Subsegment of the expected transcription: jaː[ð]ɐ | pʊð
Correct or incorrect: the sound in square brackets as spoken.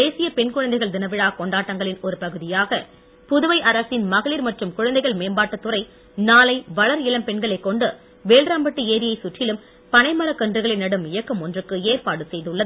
incorrect: ɣ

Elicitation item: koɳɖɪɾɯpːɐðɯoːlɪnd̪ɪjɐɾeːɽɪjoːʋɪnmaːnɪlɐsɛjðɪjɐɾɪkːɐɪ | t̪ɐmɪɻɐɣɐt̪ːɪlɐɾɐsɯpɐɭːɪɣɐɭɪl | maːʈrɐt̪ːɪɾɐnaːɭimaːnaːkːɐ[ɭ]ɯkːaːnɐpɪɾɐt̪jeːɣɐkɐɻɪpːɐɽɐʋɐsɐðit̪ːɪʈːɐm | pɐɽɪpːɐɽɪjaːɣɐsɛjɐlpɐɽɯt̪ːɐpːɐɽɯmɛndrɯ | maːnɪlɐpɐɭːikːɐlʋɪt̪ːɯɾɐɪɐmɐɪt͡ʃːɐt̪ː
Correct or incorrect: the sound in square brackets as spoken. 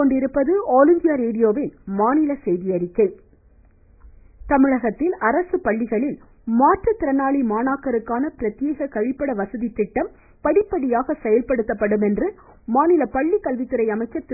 incorrect: ɾ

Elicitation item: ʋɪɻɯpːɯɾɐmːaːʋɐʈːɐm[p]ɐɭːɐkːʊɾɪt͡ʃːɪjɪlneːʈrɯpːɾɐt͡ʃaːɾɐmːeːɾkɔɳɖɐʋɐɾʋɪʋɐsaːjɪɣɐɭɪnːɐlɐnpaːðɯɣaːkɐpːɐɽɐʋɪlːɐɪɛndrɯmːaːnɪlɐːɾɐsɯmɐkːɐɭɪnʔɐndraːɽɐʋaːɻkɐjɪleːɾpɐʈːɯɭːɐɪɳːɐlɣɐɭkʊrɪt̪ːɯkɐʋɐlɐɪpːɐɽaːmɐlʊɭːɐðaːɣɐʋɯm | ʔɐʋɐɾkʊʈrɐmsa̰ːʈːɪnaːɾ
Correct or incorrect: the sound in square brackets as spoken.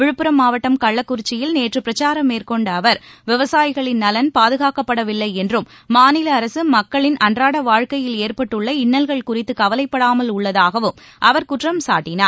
incorrect: k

